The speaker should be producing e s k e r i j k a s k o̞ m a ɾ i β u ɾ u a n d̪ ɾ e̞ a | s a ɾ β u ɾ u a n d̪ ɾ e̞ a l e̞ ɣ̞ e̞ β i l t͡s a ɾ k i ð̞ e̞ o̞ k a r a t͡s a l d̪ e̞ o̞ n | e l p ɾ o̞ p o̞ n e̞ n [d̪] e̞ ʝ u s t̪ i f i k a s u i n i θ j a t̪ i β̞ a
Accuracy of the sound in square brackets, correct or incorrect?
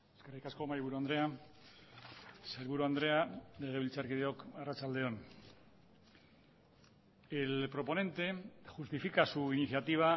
incorrect